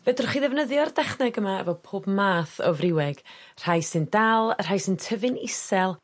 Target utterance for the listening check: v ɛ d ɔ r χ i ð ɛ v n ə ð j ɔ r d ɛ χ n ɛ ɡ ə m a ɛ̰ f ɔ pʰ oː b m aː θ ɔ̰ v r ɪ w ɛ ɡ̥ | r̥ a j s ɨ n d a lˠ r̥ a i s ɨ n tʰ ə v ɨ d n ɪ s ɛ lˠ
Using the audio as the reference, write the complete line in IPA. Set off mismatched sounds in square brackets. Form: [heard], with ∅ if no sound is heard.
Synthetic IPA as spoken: v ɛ d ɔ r χ i ð ɛ v n ə ð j ɔ r d ɛ χ n ɛ ɡ ə m a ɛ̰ [v] ɔ pʰ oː b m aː θ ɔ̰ v r ɪ w ɛ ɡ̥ | r̥ a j s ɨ n d a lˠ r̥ a [j] s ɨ n tʰ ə v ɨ [∅] n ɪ s ɛ lˠ